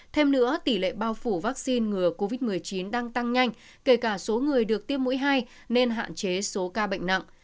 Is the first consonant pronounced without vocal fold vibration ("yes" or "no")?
yes